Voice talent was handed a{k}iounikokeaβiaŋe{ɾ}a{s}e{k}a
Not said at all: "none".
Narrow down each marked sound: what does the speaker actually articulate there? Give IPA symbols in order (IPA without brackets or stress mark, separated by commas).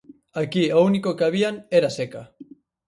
k, ɾ, s, k